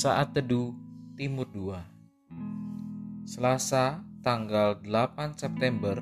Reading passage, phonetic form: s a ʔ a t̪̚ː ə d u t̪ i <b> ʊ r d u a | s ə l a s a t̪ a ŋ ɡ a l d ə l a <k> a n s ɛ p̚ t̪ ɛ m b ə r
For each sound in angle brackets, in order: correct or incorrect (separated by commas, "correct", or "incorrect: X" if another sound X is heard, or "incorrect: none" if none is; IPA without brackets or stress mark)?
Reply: incorrect: m, incorrect: p